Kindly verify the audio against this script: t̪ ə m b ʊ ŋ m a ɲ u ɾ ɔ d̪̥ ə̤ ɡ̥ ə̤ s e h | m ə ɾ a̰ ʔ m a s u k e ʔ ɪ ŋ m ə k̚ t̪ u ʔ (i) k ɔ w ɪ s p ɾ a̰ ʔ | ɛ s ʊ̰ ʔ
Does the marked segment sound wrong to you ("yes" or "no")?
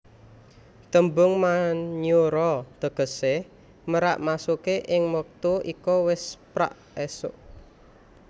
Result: no